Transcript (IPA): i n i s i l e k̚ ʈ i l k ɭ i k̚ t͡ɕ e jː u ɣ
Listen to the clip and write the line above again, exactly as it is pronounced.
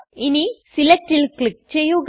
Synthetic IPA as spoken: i n i s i l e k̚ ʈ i l k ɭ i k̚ t͡ɕ e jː u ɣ